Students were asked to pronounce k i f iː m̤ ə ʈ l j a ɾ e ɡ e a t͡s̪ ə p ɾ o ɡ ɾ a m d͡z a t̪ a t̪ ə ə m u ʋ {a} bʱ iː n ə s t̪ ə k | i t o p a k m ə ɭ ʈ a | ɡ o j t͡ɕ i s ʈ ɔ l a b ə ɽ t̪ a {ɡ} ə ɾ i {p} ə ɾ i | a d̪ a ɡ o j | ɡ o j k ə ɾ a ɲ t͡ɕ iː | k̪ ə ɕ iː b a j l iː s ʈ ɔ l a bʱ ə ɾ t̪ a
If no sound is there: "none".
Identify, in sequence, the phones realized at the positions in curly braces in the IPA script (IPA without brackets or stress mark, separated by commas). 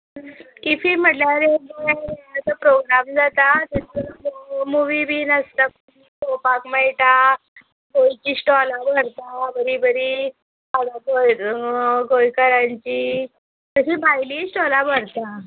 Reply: i, b, b